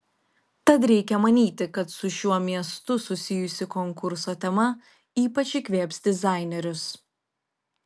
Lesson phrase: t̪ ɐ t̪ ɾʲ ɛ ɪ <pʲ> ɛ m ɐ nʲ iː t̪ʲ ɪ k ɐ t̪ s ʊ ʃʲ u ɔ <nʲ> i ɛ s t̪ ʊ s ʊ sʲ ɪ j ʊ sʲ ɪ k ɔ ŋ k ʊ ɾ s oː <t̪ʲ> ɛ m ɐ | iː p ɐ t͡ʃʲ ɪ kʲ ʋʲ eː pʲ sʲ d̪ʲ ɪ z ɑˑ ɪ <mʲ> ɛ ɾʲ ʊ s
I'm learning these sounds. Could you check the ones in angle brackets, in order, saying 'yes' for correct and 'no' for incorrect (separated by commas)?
no, no, yes, no